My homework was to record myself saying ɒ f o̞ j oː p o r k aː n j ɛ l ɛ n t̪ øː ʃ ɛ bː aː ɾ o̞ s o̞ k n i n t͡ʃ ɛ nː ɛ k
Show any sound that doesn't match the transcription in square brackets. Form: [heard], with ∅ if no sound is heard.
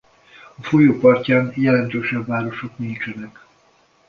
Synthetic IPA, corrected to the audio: ɒ f o̞ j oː p [ɒ] r [c] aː n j ɛ l ɛ n t̪ øː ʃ ɛ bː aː ɾ o̞ [ʃ] o̞ k n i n t͡ʃ ɛ [n] ɛ k